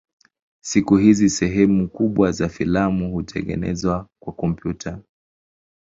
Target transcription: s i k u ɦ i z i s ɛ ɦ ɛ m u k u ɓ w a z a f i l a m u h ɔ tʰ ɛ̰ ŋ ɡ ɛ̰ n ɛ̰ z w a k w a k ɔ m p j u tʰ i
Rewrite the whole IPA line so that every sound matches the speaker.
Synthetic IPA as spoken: s i k u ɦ i z i s ɛ ɦ ɛ m u k u ɓ w a z a f i l a m u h u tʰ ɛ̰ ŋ ɡ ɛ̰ n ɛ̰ z w a k w a k ɔ m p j u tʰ a

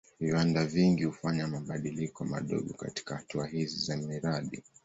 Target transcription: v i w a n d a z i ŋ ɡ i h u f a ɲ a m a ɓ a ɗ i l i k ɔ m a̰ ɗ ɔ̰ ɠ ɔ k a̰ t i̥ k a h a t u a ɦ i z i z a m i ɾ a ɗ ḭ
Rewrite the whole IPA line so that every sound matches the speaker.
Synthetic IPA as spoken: v i w a n d a v i ŋ ɡ i h u f a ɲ a m a ɓ a ɗ i l i k ɔ m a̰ ɗ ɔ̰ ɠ ɔ k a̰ t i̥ k a h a t u a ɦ i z i z a m i ɾ a ɗ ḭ

